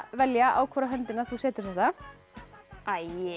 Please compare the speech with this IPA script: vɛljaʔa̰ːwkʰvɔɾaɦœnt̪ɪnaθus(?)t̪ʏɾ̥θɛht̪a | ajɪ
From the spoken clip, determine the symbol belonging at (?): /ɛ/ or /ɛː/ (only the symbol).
ɛː